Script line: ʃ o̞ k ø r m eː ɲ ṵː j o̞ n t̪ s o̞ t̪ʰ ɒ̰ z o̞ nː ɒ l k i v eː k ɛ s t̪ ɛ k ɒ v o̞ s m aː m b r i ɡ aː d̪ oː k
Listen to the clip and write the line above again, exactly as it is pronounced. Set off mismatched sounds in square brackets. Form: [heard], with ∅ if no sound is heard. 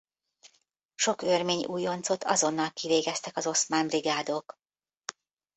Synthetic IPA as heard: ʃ o̞ k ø r m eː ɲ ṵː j o̞ n t̪ s o̞ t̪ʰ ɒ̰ z o̞ nː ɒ l k i v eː [ɡ] ɛ s t̪ ɛ k ɒ [z] o̞ s m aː m b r i ɡ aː d̪ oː k